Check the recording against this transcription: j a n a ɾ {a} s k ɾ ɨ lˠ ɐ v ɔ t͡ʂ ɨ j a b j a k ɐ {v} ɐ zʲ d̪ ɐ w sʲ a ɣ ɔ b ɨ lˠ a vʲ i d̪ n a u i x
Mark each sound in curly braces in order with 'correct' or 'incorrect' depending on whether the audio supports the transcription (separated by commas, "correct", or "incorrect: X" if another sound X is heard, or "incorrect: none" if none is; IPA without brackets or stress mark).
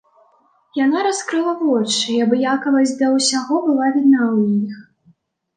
correct, correct